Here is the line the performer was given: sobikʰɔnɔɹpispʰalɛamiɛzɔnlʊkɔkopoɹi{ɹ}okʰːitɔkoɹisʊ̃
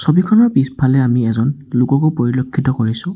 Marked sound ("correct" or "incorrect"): incorrect